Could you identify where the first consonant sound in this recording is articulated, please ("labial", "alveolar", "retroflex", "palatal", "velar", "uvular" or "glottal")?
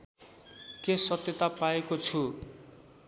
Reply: velar